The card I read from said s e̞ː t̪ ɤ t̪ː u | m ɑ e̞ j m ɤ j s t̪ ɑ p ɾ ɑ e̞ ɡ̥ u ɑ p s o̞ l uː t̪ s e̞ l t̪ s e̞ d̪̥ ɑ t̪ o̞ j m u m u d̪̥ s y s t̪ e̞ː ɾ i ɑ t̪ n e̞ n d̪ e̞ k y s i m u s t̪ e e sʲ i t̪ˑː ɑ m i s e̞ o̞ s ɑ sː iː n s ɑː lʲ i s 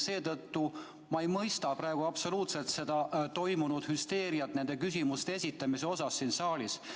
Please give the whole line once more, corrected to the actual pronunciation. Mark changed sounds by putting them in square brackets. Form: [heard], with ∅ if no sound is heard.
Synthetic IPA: s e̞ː t̪ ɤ t̪ː u | m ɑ e̞ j m ɤ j s t̪ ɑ p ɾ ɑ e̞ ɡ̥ u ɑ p s o̞ l uː t̪ s e̞ l t̪ s e̞ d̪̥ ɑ t̪ o̞ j m u [n] u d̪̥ [h] y s t̪ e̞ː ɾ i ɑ t̪ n e̞ n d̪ e̞ k y s i m u s t̪ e e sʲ i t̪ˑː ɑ m i s e̞ o̞ s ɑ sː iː n s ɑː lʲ i s